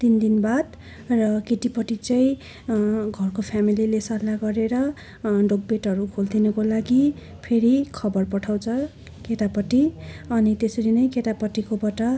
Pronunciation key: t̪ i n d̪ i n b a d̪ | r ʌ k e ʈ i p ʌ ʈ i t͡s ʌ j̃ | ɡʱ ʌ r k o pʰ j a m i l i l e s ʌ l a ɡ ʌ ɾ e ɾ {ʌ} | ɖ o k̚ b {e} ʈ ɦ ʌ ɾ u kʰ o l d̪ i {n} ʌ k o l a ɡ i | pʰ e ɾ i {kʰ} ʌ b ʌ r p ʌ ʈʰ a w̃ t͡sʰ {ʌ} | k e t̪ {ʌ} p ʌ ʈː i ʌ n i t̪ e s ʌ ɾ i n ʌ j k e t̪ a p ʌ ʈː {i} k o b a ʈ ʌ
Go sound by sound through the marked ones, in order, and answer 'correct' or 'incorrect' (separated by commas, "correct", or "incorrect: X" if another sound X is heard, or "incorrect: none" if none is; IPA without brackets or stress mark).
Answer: correct, correct, correct, correct, correct, incorrect: a, correct